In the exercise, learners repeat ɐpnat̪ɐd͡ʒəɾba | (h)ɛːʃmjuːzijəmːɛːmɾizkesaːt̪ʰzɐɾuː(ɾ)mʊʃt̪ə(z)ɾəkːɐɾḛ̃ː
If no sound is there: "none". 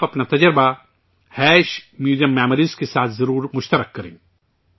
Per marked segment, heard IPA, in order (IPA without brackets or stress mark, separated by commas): h, ɾ, none